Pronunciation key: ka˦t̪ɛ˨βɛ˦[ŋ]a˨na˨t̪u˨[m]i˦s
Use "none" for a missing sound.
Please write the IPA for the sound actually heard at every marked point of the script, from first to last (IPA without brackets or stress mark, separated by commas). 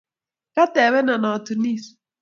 n, n